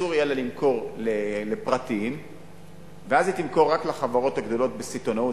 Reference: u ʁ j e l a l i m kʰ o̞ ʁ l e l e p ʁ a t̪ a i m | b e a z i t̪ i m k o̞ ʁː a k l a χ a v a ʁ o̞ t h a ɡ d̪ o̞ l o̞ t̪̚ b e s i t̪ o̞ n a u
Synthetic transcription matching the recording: u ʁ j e l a l i m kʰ o̞ ʁ l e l e p ʁ a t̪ i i m | v e a z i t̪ i m k o̞ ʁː a k l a χ a v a ʁ o̞ t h a ɡ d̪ o̞ l o̞ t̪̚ b e s i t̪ o̞ n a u